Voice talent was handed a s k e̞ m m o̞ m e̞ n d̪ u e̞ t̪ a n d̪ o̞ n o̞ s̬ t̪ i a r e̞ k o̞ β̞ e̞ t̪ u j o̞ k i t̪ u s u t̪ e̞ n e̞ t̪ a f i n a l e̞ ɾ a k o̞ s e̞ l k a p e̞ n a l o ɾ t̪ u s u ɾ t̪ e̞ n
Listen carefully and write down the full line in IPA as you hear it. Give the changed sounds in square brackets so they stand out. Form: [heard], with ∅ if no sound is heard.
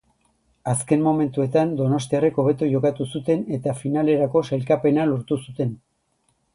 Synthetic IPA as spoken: a s k e̞ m m o̞ m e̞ n [t̪] u e̞ t̪ a n d̪ o̞ n o̞ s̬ t̪ i a r e̞ k o̞ β̞ e̞ t̪ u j o̞ k [a] t̪ u s u t̪ e̞ n e̞ t̪ a f i n a l e̞ ɾ a k o̞ s e̞ l k a p e̞ n a l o ɾ t̪ u s u [∅] t̪ e̞ n